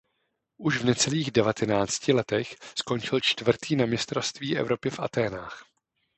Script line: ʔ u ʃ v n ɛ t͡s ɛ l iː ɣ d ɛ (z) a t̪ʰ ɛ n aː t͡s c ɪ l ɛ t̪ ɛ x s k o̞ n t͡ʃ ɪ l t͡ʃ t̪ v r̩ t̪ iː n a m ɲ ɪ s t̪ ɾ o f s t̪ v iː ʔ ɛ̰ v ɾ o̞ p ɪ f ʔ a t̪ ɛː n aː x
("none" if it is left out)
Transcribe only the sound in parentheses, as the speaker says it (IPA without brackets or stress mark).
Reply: v